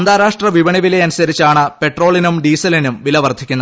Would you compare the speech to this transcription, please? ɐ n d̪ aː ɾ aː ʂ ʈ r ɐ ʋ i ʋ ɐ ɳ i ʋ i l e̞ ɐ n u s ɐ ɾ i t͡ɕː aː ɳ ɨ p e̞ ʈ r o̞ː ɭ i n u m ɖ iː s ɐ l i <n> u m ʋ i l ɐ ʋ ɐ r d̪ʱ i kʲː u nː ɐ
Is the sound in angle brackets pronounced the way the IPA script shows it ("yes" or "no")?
yes